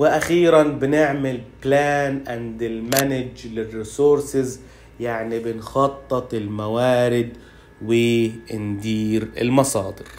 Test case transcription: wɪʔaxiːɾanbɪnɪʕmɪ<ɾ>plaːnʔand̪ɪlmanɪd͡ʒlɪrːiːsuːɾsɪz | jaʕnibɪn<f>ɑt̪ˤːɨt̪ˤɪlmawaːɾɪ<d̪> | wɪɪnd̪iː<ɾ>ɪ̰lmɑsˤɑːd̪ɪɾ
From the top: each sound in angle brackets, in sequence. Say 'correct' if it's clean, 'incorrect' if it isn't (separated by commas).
incorrect, incorrect, correct, correct